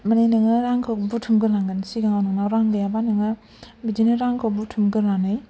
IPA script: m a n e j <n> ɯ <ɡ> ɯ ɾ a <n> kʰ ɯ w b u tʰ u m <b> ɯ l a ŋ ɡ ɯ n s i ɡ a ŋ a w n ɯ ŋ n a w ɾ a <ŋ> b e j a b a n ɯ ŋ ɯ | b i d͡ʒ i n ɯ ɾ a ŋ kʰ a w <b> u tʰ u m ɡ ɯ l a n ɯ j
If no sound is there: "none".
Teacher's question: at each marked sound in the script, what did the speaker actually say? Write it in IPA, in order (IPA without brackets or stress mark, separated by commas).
n, ŋ, ŋ, ɡ, ŋ, b